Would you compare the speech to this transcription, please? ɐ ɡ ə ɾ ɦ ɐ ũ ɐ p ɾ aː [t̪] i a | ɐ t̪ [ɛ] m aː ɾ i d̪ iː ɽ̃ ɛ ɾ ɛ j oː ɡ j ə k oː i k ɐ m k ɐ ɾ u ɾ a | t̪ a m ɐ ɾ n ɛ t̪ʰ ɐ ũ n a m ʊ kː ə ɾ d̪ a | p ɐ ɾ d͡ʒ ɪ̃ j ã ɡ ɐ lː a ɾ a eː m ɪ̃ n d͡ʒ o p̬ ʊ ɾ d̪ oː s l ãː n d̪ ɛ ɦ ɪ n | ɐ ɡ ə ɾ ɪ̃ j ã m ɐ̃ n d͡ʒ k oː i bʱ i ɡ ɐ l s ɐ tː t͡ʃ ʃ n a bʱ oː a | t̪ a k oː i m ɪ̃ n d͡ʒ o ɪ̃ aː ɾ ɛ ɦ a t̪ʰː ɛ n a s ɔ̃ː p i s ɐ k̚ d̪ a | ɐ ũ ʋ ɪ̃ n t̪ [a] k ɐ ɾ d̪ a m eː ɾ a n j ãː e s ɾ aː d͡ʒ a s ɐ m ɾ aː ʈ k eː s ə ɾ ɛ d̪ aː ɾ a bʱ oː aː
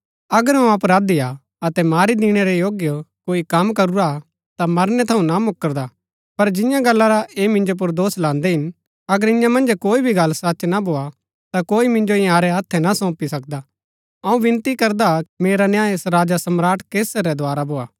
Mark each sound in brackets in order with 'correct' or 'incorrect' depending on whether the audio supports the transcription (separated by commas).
incorrect, correct, incorrect